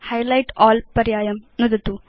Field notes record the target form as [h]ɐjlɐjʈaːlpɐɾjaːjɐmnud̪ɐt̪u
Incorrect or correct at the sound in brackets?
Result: correct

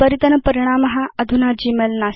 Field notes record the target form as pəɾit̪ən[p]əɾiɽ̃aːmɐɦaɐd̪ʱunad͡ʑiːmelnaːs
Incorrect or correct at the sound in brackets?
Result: correct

